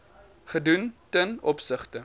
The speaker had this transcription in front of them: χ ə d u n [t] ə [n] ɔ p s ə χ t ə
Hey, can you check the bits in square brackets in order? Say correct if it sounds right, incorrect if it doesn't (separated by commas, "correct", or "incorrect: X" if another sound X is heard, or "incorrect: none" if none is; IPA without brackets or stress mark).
correct, correct